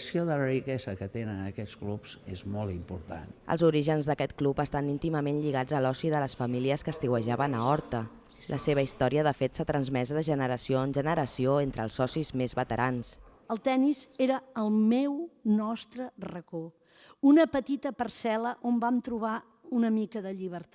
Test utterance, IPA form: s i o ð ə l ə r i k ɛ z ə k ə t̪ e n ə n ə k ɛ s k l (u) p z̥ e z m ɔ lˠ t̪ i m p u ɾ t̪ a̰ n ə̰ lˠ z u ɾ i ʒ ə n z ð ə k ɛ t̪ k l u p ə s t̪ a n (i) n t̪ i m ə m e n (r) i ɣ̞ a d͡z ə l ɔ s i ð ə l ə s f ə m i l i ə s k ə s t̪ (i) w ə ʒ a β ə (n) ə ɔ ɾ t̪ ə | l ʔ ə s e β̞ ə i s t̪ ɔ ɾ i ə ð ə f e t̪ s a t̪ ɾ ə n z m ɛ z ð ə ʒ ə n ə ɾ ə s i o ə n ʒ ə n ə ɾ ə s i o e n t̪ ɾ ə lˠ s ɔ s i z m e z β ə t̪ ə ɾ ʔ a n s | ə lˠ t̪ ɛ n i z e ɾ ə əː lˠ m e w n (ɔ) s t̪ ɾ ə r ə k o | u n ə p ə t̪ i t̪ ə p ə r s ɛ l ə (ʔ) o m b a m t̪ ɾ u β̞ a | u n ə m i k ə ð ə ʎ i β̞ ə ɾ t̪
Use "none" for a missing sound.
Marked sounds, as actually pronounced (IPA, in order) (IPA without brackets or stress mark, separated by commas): u, i, ʎ, i, n, ɔ, ʔ